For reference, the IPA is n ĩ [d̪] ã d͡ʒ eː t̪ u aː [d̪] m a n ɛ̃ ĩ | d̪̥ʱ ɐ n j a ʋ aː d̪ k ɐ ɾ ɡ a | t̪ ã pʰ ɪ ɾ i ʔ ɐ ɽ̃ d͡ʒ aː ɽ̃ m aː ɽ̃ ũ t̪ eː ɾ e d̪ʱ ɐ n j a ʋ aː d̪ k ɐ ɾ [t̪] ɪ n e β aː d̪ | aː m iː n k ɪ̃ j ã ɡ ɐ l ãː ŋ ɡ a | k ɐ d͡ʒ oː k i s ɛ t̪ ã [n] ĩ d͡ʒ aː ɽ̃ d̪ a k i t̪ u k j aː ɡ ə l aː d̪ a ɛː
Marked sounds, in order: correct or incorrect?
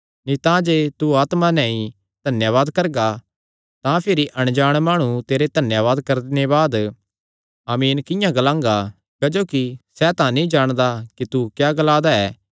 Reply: incorrect: t̪, incorrect: t̪, incorrect: d̪, correct

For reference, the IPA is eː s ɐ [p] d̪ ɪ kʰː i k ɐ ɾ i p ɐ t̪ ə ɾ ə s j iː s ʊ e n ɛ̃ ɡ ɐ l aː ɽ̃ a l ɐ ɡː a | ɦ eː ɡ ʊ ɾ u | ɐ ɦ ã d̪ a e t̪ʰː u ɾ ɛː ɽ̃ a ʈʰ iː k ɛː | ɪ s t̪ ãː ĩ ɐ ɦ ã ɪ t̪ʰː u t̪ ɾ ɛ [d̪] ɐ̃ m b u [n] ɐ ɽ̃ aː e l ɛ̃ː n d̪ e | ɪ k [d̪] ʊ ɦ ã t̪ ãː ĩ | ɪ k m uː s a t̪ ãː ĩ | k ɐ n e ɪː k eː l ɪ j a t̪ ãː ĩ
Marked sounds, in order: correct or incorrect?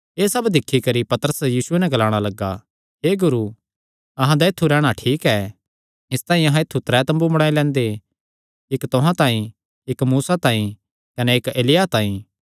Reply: incorrect: b, incorrect: t̪, incorrect: m, incorrect: t̪

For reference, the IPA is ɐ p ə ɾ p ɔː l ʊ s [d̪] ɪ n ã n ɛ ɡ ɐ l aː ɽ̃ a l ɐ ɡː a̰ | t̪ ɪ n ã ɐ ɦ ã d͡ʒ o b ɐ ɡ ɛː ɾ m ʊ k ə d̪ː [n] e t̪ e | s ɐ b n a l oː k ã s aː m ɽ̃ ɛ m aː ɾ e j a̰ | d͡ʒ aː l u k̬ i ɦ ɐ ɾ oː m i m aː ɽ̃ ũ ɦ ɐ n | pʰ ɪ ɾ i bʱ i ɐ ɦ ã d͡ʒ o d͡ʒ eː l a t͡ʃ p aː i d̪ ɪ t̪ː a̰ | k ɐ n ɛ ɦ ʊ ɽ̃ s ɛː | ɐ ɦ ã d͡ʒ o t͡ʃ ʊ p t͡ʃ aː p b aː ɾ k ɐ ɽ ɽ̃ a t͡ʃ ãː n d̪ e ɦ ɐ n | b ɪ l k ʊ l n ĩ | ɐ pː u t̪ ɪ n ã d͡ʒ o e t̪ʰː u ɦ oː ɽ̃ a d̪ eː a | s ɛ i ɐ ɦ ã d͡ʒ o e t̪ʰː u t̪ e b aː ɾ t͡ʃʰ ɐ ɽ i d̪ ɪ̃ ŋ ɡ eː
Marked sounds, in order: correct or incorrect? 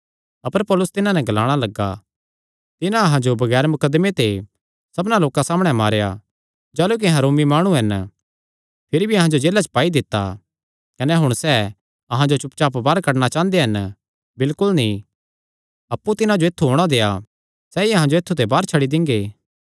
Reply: incorrect: t̪, incorrect: m

